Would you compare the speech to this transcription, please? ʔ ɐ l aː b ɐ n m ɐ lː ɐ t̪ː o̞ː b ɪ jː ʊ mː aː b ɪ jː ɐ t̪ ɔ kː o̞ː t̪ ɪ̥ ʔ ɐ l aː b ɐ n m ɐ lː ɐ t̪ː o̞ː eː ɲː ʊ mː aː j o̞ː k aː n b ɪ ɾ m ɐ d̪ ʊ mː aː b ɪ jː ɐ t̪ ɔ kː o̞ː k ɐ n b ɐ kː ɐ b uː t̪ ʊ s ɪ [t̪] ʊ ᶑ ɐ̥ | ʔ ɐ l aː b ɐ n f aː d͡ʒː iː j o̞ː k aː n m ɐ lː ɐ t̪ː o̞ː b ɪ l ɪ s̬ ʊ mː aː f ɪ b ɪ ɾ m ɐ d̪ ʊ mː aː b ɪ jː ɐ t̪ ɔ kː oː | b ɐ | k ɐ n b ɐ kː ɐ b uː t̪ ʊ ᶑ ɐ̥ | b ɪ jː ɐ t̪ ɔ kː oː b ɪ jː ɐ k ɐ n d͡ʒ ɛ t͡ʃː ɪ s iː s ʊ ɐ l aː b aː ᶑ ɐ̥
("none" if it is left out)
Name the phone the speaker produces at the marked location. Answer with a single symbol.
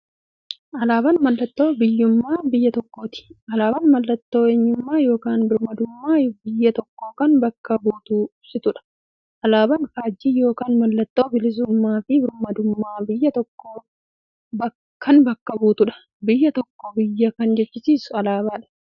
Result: t̪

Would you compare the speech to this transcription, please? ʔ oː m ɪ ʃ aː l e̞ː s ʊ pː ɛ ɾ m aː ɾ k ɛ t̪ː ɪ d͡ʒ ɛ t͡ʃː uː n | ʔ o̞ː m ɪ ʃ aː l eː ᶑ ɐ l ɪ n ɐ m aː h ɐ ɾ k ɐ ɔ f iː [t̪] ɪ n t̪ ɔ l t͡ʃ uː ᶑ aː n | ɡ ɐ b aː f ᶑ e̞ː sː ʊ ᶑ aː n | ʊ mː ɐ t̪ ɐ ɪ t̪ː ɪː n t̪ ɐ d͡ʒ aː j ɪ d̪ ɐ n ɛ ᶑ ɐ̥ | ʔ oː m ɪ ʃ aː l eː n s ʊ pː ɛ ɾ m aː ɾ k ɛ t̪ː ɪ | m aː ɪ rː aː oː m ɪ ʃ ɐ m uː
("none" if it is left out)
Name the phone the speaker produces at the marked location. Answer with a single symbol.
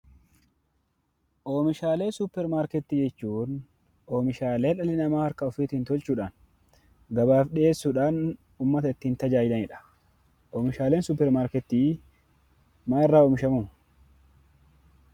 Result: t̪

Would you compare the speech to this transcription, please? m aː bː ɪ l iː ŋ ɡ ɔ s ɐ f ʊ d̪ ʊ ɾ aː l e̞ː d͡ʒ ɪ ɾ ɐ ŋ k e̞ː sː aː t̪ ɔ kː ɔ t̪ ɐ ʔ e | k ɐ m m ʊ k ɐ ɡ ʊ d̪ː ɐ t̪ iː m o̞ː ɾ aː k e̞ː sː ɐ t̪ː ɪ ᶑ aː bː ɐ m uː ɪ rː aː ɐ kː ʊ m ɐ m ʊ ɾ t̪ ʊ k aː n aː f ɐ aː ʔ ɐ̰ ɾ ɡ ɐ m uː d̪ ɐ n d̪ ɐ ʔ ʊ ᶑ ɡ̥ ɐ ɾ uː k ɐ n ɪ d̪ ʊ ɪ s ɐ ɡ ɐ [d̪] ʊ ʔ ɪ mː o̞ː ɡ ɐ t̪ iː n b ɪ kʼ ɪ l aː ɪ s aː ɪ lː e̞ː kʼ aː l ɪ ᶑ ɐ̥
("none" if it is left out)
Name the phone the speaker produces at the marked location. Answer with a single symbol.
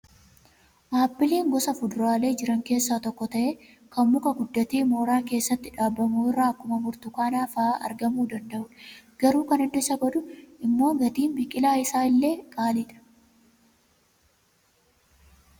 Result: d̪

